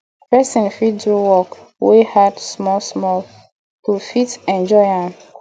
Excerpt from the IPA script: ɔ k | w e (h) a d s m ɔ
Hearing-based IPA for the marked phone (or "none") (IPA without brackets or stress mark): h